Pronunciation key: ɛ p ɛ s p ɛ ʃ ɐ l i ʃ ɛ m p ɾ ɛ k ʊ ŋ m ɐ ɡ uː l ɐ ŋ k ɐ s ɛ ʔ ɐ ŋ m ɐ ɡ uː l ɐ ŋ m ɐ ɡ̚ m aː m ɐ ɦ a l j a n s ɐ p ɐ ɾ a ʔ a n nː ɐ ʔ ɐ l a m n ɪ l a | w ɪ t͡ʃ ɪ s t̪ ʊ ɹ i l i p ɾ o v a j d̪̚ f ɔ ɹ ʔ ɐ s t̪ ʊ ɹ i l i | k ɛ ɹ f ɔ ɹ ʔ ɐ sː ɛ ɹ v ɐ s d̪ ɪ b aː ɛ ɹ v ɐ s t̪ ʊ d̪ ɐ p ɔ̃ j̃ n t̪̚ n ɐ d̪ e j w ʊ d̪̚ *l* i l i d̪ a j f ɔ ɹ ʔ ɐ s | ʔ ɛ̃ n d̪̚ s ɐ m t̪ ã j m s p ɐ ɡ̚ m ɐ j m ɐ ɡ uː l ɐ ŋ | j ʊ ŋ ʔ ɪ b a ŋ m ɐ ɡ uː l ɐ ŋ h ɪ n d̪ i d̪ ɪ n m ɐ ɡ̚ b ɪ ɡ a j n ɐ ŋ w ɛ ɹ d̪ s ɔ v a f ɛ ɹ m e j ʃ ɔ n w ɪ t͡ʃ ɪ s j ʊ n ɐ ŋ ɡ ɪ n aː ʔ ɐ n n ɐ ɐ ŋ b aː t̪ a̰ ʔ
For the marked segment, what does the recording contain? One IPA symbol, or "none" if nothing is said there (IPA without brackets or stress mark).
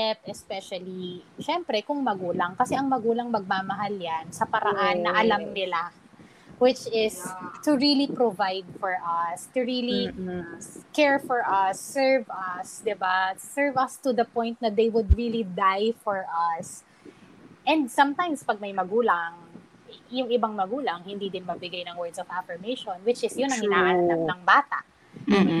ɹ